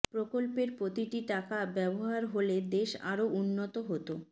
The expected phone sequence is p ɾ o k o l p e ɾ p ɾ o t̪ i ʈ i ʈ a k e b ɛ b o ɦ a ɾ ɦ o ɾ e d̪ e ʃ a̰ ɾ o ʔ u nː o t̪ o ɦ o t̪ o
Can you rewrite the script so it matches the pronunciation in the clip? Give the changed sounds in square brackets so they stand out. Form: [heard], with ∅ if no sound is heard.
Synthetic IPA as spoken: p ɾ o k o l p e ɾ p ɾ o t̪ i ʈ i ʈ a k [a] b ɛ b o ɦ a ɾ ɦ o [l] e d̪ e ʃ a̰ ɾ o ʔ u nː o t̪ o ɦ o t̪ o